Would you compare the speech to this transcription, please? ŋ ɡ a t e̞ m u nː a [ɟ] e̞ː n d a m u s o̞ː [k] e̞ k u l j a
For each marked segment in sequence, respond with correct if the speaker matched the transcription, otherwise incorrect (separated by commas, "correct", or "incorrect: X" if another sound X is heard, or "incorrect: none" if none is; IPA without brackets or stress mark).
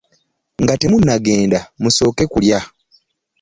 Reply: incorrect: ɡ, correct